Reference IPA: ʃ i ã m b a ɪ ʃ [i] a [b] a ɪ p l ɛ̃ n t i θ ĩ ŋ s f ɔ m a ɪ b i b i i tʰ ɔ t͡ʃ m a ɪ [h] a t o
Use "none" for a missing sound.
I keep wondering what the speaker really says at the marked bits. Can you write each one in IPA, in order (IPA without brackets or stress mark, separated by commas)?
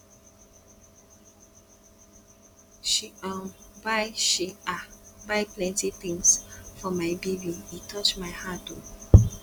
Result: i, b, h